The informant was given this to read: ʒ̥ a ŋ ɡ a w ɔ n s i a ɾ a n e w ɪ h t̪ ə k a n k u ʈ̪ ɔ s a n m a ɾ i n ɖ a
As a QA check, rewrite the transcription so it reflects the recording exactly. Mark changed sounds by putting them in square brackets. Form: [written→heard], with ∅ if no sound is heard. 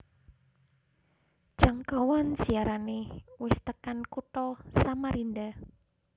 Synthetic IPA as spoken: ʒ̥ a ŋ [ɡ→k] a w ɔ n s i a ɾ a n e w ɪ [h→s] t̪ ə k a n k u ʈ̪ ɔ s a [n→∅] m a ɾ i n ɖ a